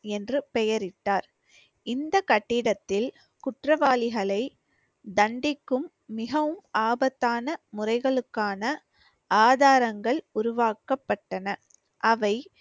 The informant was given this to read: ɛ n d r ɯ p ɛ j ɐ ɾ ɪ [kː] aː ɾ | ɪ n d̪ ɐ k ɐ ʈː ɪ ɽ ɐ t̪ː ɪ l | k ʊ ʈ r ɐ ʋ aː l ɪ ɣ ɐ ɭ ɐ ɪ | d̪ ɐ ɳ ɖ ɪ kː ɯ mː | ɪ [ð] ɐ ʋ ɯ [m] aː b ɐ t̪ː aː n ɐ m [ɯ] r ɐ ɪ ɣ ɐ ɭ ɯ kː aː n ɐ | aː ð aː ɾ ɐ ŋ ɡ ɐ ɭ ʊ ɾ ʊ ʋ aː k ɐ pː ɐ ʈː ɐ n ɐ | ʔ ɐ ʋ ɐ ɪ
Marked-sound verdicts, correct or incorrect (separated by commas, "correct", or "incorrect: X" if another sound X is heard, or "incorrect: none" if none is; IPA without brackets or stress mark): incorrect: ʈː, incorrect: ɣ, correct, incorrect: ʊ